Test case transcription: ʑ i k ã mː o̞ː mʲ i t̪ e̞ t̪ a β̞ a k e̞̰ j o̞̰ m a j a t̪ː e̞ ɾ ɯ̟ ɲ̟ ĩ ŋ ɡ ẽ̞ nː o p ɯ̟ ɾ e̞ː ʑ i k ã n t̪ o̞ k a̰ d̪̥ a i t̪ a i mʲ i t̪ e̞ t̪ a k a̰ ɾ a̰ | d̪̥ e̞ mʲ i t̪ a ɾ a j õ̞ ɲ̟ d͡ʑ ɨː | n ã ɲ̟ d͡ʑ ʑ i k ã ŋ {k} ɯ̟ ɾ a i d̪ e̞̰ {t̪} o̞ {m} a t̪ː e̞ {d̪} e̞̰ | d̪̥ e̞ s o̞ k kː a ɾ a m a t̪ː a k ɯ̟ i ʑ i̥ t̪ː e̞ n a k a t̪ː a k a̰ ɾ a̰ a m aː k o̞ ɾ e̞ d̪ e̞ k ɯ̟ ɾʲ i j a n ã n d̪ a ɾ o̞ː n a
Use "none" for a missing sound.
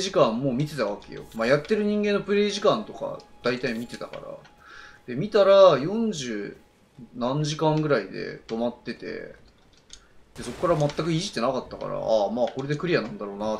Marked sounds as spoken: ɡ, t̪, m, t̪

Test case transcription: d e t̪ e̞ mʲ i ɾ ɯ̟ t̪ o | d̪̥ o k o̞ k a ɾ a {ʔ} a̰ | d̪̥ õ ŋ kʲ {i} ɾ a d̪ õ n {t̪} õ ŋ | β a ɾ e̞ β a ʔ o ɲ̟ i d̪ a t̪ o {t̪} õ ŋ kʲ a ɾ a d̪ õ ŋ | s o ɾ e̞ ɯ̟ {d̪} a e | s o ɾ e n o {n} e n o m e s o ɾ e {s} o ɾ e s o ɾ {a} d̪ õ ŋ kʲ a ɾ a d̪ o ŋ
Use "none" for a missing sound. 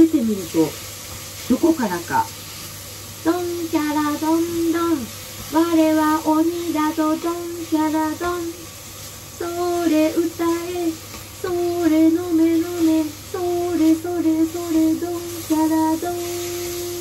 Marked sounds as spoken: k, a, d̪, d̪, t̪, m, s, e

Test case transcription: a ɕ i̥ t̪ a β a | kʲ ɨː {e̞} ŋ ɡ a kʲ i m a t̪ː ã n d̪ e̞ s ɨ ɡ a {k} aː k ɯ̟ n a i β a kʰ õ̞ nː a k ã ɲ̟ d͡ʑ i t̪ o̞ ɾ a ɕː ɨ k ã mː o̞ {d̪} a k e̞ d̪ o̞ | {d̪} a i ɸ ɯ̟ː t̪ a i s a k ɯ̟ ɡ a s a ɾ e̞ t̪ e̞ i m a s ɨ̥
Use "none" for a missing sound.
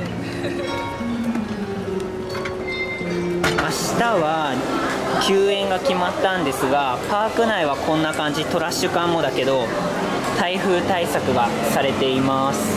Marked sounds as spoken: ẽ̞, p, d̪, t̪

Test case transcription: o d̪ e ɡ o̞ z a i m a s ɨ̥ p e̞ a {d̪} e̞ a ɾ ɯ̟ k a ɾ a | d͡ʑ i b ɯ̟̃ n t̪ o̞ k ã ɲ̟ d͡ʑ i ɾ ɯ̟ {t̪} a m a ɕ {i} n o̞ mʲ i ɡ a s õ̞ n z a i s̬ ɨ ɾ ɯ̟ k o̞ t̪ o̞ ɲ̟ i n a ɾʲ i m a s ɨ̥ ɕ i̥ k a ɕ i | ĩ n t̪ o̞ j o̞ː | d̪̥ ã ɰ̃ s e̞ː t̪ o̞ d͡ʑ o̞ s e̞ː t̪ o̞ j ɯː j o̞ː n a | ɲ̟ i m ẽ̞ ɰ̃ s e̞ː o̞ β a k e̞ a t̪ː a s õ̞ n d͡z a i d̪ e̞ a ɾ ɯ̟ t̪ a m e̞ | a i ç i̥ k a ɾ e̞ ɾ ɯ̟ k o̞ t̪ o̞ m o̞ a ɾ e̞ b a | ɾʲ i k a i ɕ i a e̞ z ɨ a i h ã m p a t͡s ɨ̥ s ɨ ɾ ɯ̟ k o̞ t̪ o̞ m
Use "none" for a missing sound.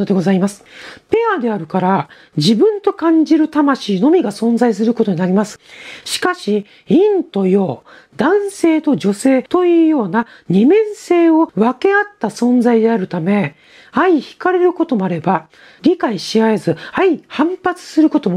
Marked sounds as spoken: d̪, t̪, iː

